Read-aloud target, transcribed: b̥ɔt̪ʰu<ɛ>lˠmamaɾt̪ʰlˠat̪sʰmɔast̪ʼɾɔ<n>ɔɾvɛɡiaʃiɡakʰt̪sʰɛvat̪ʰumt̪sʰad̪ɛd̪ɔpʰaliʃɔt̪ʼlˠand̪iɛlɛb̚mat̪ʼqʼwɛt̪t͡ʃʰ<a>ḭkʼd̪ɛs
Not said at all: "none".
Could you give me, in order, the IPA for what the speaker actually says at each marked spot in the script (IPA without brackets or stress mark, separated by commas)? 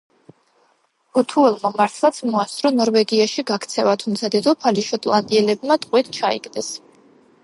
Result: ɛ, n, a